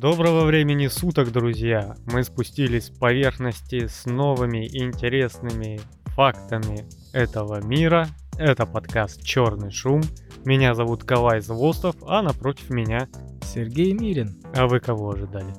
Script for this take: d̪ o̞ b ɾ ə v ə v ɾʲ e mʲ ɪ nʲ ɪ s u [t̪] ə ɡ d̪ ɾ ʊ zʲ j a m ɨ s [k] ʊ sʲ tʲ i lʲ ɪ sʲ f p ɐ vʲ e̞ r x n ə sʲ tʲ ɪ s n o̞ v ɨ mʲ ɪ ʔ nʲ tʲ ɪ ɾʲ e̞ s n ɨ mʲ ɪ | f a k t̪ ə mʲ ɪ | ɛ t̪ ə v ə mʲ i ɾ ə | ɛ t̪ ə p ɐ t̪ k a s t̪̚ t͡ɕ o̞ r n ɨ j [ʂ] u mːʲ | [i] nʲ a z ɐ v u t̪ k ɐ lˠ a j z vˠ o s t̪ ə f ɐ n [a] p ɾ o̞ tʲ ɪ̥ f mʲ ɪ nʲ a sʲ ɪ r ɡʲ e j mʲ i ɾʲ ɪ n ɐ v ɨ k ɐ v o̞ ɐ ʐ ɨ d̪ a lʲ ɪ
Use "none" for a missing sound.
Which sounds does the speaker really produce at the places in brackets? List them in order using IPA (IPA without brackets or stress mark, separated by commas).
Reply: t̪, p, ʂ, ɪ, ɐ